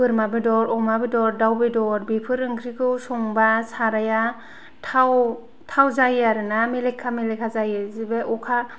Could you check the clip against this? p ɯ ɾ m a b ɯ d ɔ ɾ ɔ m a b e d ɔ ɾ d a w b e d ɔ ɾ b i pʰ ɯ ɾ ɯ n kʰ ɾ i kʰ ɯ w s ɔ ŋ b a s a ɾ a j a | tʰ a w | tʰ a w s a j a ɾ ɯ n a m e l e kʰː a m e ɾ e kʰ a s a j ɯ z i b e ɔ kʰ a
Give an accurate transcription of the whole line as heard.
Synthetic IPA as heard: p ɯ ɾ m a b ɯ d ɔ ɾ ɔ m a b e d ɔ ɾ d a w b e d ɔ ɾ b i pʰ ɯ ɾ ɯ ŋ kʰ ɾ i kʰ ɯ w s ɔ ŋ b a s a ɾ a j a | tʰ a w | tʰ a w z a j a ɾ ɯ n a m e l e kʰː a m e l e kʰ a z a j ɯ z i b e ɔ kʰ a